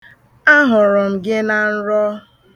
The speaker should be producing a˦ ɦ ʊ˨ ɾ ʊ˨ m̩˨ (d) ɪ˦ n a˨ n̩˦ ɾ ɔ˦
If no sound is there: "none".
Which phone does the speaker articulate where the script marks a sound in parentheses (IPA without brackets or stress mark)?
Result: ɡ